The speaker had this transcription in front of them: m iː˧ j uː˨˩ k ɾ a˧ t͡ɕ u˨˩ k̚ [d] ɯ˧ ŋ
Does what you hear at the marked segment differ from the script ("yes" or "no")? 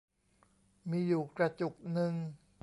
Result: yes